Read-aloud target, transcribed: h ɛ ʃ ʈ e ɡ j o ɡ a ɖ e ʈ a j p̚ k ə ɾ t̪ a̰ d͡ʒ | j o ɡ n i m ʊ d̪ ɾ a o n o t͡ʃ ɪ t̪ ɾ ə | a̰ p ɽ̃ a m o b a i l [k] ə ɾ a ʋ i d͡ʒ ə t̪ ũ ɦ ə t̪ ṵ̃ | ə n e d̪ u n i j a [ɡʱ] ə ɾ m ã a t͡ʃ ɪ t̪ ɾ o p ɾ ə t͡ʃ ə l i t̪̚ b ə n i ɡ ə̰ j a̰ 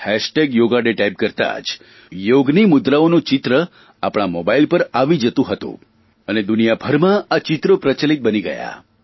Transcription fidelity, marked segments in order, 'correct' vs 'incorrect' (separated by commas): incorrect, incorrect